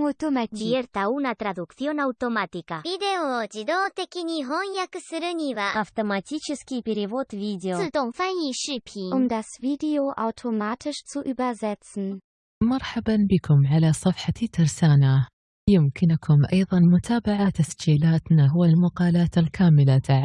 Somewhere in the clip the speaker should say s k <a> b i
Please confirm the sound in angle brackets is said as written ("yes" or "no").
no